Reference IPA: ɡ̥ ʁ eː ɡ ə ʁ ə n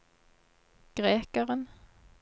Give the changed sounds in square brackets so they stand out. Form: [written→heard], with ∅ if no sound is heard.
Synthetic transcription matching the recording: ɡ̥ ʁ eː [ɡ→k] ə ʁ ə n